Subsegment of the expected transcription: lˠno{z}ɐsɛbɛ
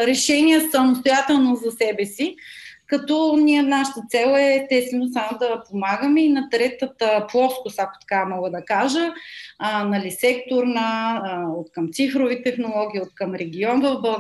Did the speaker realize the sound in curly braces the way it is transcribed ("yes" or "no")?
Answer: yes